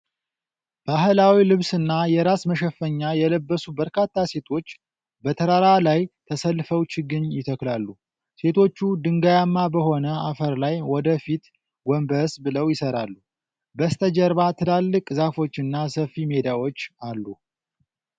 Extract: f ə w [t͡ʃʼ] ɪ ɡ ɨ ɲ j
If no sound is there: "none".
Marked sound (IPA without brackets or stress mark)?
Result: t͡ʃ